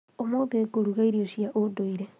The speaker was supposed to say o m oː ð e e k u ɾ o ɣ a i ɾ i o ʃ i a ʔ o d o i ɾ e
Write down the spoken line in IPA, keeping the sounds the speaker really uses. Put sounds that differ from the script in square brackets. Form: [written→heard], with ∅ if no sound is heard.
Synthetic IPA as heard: o m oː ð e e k [u→o] ɾ [o→u] ɣ a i ɾ i o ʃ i a ʔ o d o i ɾ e